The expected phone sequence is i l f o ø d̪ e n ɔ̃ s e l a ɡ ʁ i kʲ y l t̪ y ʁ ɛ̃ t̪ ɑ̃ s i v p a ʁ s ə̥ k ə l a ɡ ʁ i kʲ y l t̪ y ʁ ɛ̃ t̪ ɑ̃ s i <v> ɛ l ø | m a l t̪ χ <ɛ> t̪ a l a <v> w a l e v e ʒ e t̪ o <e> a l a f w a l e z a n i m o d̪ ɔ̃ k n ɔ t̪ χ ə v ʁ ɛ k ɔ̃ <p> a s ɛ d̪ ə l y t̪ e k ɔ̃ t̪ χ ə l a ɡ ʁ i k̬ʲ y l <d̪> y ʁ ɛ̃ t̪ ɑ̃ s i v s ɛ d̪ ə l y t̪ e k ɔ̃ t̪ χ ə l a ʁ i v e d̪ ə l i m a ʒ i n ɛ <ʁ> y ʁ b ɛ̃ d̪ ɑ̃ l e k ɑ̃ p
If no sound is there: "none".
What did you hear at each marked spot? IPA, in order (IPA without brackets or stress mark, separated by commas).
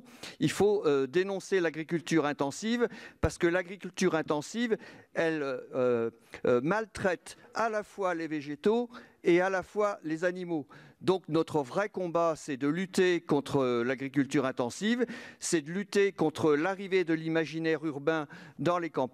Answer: v, ɛ, f, e, b, t̪, ʁ